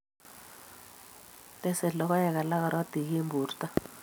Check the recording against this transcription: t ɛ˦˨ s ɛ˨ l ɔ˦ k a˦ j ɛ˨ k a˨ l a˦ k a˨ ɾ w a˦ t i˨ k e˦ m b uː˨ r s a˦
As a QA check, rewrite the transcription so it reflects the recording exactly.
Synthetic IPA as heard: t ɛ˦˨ s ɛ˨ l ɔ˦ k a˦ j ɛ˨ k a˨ l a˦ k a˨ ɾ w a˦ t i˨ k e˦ m b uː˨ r t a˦